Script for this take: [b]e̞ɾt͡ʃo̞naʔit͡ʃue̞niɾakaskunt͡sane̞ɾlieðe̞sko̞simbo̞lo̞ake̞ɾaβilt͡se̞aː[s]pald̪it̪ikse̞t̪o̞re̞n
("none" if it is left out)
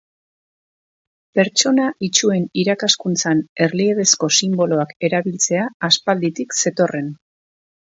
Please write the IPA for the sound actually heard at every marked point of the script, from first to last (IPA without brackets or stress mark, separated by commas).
p, s